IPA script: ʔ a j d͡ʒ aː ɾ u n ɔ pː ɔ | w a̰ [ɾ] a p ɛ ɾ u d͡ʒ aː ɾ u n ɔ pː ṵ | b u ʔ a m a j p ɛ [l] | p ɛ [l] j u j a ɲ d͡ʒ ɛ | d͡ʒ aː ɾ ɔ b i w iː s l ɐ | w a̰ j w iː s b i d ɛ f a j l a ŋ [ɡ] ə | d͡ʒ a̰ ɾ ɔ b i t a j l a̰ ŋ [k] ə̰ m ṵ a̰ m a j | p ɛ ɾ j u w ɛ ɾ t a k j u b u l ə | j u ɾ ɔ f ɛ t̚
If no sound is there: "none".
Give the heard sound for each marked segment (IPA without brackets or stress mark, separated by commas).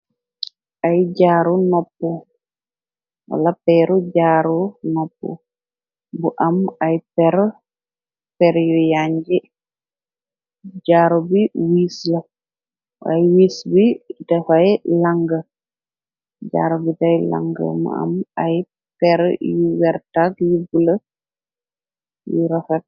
l, ɾ, ɾ, ɡ, ɡ